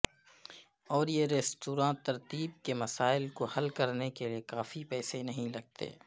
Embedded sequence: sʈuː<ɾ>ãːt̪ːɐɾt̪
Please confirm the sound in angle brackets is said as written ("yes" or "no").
yes